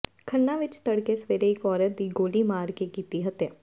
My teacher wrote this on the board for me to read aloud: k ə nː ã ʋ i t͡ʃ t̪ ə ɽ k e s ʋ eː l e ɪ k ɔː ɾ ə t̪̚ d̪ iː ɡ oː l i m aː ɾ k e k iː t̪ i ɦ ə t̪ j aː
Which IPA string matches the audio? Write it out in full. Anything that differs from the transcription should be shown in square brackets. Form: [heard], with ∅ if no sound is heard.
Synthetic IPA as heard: [kʰ] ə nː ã ʋ [ɪ] t͡ʃ t̪ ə ɽ k e s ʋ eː [ɾ] e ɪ k ɔː ɾ ə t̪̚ d̪ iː ɡ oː l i m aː ɾ k e k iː t̪ i ɦ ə t̪ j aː